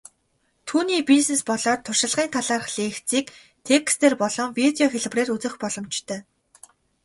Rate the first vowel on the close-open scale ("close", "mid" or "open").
close